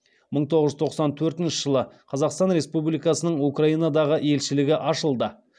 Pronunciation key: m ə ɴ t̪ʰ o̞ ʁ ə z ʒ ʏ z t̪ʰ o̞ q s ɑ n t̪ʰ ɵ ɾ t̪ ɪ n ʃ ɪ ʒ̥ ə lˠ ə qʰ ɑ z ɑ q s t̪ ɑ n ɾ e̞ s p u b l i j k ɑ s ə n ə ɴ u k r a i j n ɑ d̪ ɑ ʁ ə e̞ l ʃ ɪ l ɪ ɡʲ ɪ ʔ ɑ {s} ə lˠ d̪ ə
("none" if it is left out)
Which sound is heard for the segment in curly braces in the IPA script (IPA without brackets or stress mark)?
ʃ